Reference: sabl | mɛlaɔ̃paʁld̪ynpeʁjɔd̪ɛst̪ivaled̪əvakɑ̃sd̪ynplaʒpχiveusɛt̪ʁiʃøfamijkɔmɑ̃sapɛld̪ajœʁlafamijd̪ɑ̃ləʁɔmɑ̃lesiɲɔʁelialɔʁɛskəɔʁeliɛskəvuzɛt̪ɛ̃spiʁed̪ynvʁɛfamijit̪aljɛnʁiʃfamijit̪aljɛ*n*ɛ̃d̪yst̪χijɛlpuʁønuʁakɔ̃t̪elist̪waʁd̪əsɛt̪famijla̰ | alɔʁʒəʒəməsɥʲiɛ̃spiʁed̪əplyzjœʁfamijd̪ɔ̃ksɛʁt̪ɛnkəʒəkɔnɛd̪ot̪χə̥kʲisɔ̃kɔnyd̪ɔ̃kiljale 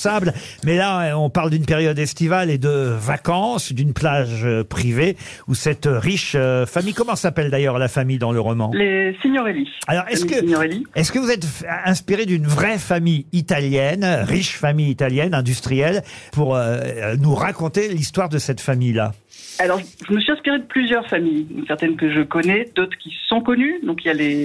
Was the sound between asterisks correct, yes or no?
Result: yes